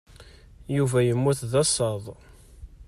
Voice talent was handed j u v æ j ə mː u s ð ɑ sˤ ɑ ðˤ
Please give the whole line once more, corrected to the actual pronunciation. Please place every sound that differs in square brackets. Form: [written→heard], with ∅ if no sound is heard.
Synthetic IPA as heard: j u v æ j ə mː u [s→θ] ð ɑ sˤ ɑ ðˤ